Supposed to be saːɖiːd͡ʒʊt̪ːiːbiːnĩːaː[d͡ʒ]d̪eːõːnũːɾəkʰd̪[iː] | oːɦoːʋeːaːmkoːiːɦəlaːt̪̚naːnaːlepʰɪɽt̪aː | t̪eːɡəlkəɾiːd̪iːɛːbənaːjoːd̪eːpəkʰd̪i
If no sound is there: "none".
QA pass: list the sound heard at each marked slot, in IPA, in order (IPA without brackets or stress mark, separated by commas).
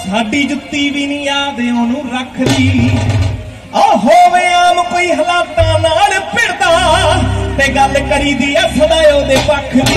none, iː